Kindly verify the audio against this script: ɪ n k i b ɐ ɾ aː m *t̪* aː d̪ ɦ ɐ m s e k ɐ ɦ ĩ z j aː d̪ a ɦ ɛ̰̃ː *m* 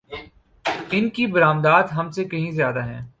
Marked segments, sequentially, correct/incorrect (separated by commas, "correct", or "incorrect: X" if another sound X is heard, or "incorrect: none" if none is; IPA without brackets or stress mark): incorrect: d̪, incorrect: none